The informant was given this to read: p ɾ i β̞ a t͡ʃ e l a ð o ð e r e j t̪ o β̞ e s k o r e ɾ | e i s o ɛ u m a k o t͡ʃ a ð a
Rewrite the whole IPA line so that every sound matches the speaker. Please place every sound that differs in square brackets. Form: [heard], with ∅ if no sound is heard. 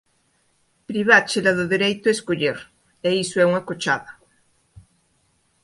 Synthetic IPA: p ɾ i β̞ a t͡ʃ e l a ð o ð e [ɾ] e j t̪ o [∅] e s k o [ʎ] e ɾ | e i s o ɛ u [ŋ] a k o t͡ʃ a ð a